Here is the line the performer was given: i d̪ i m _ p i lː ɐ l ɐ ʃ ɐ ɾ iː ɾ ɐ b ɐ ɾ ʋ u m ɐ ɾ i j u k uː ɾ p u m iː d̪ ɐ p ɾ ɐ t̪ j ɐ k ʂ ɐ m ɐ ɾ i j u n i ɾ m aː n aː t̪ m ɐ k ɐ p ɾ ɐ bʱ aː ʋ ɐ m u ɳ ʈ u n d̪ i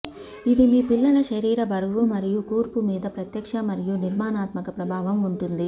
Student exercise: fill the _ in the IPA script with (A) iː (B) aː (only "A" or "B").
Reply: A